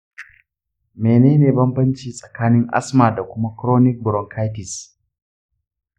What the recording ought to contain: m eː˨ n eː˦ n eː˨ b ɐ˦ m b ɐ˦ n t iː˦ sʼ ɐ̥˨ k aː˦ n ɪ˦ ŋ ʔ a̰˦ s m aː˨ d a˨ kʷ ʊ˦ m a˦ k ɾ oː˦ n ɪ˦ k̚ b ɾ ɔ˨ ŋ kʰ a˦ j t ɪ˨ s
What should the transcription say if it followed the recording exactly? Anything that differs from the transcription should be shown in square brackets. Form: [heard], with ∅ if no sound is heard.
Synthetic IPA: m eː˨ n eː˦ n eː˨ b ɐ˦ m b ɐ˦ n [t͡ʃ] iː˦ sʼ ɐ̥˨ k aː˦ n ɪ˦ ŋ ʔ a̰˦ s m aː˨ d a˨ kʷ ʊ˦ m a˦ k ɾ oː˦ n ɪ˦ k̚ b ɾ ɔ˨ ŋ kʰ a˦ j t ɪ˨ s